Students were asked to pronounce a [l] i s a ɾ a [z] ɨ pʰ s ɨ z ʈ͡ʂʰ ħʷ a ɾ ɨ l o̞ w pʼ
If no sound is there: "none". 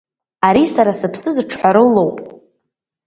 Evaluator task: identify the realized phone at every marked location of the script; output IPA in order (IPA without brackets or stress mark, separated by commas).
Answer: ɾ, s